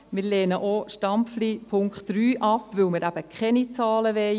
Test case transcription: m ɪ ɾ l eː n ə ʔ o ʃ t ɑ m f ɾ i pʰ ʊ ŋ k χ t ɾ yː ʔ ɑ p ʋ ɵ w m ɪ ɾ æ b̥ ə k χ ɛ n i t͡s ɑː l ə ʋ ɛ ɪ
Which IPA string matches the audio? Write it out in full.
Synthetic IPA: m ɪ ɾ l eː n ə ʔ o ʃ t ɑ m f l i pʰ ʊ ŋ k χ t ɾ yː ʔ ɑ p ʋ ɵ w m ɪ ɾ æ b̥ ə k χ ɛ n i t͡s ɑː l ə ʋ ɛ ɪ